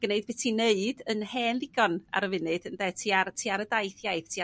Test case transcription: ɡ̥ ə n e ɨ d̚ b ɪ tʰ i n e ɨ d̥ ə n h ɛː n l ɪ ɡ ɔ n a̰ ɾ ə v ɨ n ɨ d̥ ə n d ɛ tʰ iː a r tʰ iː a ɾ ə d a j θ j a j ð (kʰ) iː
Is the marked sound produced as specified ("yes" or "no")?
no